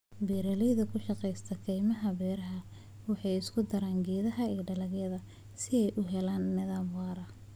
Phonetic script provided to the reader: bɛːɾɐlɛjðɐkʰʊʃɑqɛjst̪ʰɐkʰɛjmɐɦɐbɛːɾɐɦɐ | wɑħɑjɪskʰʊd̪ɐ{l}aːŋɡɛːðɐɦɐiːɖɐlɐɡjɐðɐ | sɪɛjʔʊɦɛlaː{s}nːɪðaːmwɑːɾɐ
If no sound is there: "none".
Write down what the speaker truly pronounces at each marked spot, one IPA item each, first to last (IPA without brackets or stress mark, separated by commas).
ɾ, none